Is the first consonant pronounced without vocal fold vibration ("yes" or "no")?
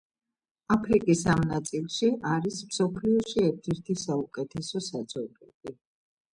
yes